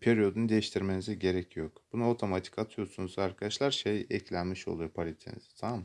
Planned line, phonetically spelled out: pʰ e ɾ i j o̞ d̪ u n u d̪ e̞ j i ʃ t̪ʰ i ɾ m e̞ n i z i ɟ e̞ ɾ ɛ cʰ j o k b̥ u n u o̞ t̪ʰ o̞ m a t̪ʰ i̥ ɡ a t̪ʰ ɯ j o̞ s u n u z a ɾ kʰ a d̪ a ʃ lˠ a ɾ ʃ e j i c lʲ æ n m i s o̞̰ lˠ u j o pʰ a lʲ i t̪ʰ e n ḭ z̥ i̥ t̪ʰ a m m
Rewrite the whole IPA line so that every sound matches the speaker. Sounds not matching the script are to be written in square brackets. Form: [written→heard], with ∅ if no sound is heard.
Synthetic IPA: pʰ e ɾ i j o̞ d̪ u n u d̪ e̞ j i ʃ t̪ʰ i ɾ m e̞ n i z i ɟ e̞ ɾ ɛ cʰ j o k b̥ u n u o̞ t̪ʰ o̞ m a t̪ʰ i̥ [ɡ→k] a t̪ʰ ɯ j o̞ s u n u z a ɾ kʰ a d̪ a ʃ lˠ a ɾ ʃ e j [i→ɛ] c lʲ æ n m i [s→ʃ] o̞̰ lˠ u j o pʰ a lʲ i t̪ʰ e n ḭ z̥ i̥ t̪ʰ a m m